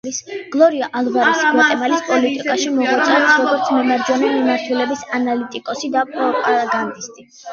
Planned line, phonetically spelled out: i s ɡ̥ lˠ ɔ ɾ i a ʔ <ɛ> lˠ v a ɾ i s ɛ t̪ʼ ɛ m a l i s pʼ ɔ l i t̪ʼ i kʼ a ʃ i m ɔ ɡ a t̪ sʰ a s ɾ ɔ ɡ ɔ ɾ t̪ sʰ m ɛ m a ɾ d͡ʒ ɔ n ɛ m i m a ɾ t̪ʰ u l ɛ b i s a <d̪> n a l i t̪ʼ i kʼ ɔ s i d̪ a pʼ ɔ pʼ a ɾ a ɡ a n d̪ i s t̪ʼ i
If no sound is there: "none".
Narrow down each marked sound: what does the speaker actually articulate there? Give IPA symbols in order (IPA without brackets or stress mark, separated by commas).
a, none